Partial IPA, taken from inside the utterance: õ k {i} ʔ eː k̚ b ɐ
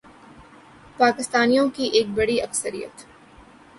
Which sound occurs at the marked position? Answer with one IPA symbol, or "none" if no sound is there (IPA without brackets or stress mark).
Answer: i